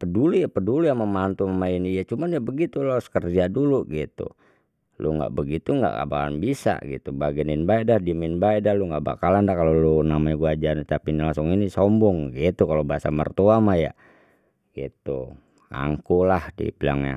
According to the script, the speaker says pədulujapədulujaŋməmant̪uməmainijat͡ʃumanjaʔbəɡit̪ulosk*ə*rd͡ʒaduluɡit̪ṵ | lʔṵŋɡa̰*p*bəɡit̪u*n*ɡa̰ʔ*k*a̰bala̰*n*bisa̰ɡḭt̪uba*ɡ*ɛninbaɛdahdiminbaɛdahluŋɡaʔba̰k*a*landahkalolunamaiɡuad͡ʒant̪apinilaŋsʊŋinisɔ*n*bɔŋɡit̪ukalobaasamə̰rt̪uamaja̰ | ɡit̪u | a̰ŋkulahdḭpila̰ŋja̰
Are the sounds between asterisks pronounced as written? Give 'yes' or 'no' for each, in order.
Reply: yes, no, no, yes, yes, yes, yes, no

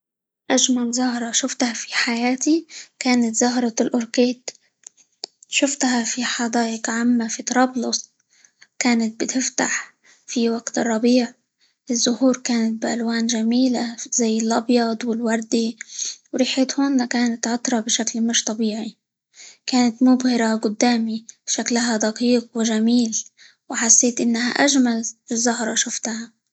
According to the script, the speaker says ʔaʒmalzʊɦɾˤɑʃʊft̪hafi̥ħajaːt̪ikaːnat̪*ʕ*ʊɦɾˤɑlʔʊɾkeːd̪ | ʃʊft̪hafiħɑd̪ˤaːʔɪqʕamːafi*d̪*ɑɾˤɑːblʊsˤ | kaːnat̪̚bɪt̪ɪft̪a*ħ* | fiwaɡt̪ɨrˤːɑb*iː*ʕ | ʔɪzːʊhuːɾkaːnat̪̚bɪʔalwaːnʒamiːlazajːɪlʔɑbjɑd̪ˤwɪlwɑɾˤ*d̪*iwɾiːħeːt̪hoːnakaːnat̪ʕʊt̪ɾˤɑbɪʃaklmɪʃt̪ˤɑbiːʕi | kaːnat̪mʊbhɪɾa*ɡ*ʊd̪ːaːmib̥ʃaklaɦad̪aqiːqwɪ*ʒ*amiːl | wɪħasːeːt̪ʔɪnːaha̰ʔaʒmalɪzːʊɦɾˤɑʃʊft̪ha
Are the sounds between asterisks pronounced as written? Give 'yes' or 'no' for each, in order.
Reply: no, no, yes, yes, yes, yes, yes

